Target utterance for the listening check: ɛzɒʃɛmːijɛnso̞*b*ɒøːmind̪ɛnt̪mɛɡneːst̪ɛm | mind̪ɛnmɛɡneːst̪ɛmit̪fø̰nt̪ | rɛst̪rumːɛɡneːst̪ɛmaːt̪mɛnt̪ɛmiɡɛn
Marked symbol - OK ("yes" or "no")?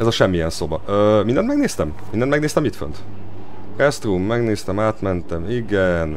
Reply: yes